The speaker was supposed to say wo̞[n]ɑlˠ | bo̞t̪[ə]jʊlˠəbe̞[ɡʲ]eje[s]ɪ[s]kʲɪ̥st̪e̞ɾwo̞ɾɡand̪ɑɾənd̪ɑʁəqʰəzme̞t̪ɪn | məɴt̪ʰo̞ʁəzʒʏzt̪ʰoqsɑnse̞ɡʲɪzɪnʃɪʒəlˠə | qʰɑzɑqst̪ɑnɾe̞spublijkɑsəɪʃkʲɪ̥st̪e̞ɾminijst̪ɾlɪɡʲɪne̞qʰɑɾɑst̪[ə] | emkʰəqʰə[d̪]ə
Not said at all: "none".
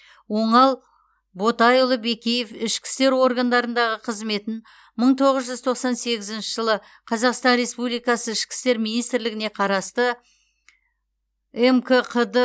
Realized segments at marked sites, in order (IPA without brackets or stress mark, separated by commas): ɴ, ɑ, kʲ, f, ʃ, ə, d̪